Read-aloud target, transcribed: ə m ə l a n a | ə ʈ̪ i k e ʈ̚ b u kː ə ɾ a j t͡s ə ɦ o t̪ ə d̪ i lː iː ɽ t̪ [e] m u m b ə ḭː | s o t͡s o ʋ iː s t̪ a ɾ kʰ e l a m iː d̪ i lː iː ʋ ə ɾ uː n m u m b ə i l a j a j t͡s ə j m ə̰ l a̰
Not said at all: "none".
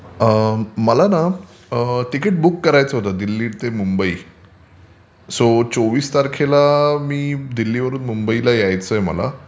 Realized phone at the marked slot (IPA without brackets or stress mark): e